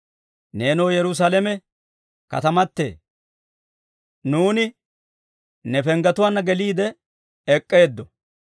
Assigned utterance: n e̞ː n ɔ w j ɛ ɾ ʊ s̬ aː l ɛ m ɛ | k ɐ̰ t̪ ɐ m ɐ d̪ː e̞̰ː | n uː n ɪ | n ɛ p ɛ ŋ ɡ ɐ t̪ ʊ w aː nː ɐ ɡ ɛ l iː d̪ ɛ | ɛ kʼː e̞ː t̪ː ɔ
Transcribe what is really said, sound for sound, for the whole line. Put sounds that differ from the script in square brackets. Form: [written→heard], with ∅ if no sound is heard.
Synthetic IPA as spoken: n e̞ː n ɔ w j ɛ ɾ ʊ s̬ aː l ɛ m ɛ | k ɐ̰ t̪ ɐ m ɐ [d̪ː→t̪ː] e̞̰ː | n uː n ɪ | n ɛ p ɛ ŋ ɡ ɐ t̪ ʊ w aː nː ɐ ɡ ɛ l iː d̪ ɛ | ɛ kʼː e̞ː [t̪ː→d̪ː] ɔ